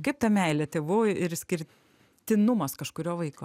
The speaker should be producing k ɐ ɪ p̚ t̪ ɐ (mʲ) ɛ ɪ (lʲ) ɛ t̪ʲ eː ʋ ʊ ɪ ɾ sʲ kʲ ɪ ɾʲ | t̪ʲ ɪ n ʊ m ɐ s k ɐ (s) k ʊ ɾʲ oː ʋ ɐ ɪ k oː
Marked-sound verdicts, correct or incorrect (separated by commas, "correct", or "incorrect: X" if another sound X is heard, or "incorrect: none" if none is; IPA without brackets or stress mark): correct, correct, incorrect: ʃ